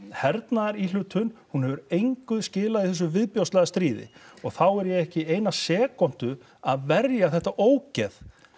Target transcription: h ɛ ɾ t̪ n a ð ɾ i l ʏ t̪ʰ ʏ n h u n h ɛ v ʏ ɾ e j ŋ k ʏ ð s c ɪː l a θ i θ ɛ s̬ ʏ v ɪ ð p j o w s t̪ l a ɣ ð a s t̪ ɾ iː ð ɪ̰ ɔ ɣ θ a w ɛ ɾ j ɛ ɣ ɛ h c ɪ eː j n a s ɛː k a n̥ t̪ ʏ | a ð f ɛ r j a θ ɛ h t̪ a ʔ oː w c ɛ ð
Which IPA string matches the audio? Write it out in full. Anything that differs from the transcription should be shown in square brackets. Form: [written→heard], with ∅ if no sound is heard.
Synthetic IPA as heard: h ɛ ɾ t̪ n a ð ɾ i l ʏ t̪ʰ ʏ n h u n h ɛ v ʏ ɾ e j ŋ k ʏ ð s c ɪː l a [θ→ð] i θ ɛ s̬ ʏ v ɪ ð p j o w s t̪ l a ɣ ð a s t̪ ɾ iː ð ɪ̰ ɔ ɣ θ a w ɛ ɾ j ɛ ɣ ɛ h c ɪ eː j n a s ɛː k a n̥ t̪ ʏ | a ð [f→v] ɛ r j a θ ɛ h t̪ a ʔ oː w c ɛ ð